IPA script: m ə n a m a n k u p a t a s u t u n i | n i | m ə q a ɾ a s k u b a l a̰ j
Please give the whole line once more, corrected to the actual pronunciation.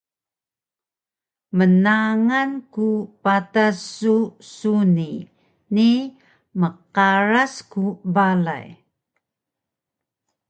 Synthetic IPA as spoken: m ə n a ŋ a n k u p a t a s u s u n i | n i | m ə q a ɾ a s k u b a l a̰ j